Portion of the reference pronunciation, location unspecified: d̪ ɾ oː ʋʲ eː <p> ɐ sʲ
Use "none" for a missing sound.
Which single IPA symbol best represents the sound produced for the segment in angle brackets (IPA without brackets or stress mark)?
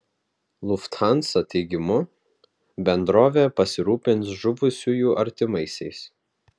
p